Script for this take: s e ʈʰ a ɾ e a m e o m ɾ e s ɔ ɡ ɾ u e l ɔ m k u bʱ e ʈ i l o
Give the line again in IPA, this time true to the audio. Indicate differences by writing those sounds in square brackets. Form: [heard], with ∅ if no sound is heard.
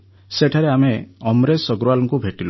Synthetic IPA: s e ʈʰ a ɾ e a m e [ɔ] m ɾ e s ɔ ɡ ɾ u [a] l ɔ [ŋ] k u bʱ e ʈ i l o